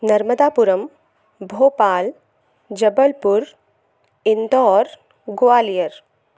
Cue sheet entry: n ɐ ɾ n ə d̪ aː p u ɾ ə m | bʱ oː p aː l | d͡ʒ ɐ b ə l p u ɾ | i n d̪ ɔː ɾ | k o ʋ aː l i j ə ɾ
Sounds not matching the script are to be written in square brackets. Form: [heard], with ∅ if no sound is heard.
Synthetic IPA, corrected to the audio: n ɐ ɾ [m] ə d̪ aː p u ɾ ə m | bʱ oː p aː l | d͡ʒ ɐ b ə l p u ɾ | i n d̪ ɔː ɾ | [ɡ] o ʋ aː l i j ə ɾ